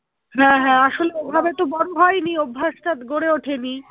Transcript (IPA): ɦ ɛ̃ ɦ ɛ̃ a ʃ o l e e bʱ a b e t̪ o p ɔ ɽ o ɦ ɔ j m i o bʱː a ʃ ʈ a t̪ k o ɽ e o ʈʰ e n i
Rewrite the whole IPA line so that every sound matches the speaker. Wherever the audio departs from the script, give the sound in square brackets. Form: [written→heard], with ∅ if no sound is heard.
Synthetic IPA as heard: ɦ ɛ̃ ɦ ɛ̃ a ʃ o l e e bʱ a b e t̪ o [p→b] ɔ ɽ o ɦ ɔ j [m→n] i o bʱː a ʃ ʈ a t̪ [k→ɡ] o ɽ e o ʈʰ e n i